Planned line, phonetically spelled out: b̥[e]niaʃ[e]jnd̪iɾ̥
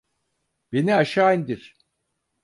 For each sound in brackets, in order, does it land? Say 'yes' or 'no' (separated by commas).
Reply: yes, no